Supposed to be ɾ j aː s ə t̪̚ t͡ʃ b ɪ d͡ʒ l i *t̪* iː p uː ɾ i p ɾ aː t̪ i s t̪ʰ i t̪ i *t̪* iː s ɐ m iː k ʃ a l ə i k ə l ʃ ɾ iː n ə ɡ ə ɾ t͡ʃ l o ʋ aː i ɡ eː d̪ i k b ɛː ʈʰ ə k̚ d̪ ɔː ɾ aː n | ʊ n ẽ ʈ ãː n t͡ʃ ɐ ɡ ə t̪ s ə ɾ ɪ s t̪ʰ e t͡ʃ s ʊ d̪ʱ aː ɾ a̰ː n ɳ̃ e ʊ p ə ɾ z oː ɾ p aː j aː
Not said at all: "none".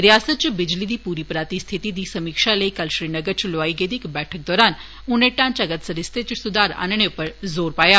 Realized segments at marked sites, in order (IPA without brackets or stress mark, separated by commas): d̪, d̪